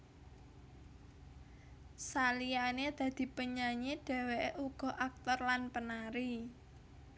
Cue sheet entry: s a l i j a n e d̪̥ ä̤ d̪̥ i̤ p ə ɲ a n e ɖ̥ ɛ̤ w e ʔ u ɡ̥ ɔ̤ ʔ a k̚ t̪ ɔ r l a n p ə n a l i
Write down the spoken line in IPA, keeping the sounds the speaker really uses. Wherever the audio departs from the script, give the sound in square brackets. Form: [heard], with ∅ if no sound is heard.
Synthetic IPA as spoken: s a l i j a n e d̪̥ ä̤ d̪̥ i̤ p ə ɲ a [ɲ] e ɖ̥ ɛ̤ w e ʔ u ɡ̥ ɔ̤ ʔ a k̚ t̪ ɔ r l a n p ə n a [ɾ] i